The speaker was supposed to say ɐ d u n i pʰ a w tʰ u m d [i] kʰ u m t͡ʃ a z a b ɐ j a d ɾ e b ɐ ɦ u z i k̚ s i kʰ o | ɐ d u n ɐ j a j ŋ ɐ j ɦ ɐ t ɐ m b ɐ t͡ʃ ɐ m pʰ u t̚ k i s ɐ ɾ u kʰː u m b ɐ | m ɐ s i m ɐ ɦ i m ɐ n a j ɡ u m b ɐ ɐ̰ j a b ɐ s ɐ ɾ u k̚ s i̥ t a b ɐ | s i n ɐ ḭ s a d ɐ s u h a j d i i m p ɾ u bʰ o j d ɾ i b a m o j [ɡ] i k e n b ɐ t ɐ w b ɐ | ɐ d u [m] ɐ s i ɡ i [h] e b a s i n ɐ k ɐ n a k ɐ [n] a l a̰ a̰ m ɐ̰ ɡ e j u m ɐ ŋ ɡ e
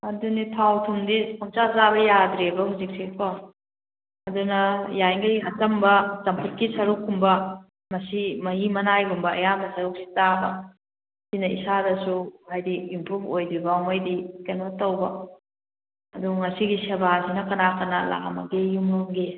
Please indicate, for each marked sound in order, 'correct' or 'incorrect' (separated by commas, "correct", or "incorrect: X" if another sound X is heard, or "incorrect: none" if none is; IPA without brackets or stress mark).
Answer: correct, incorrect: d, incorrect: ŋ, incorrect: s, correct